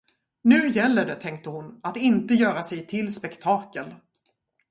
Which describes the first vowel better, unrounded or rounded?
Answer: rounded